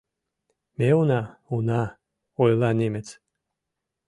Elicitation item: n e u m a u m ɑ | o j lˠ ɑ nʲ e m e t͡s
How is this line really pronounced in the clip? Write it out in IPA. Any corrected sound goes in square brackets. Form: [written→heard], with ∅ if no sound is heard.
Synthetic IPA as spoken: [n→m] e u [m→n] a u [m→n] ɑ | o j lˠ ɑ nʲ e m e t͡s